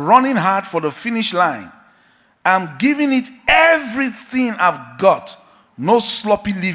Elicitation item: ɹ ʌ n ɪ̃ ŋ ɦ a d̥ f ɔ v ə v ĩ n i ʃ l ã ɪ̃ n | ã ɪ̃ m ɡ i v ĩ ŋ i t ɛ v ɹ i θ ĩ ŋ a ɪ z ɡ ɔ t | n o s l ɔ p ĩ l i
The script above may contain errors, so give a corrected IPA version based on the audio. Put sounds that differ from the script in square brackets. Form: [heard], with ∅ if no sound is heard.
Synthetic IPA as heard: ɹ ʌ n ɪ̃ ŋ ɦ a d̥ f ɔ [ð] ə [f] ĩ n i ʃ l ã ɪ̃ n | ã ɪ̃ m ɡ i v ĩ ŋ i t ɛ v ɹ i θ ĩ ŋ a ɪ [v] ɡ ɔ t | n o s l ɔ p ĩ l i